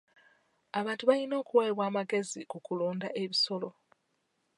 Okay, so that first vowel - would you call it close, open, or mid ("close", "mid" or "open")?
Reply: open